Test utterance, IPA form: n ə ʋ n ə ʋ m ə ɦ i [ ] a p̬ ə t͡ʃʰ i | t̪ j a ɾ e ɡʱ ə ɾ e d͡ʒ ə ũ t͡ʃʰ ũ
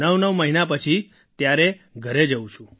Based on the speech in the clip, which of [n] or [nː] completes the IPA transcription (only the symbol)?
n